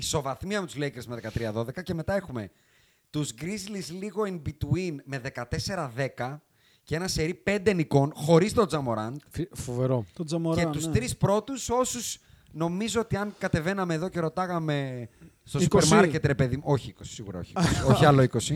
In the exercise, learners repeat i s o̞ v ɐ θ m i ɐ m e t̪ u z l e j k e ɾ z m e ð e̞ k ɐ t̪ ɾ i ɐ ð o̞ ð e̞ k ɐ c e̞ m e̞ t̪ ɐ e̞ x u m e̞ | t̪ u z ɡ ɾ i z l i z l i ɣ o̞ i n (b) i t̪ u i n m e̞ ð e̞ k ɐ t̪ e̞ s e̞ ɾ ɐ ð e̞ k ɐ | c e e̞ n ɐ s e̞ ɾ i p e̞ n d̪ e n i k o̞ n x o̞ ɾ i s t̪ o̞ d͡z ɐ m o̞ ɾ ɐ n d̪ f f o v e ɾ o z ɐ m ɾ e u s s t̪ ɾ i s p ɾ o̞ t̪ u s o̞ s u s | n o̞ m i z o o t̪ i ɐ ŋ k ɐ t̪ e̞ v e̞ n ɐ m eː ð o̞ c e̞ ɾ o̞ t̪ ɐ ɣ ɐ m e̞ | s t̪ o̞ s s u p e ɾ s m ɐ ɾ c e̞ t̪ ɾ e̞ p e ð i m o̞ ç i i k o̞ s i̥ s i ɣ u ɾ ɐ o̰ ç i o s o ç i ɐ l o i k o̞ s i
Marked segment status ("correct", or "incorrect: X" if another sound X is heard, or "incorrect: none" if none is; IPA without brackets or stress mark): correct